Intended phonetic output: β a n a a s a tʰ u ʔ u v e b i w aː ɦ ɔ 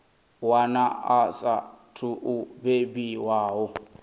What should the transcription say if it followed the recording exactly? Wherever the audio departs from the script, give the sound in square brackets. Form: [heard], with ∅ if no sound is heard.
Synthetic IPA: [w] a n a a s a tʰ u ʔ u [b] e b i w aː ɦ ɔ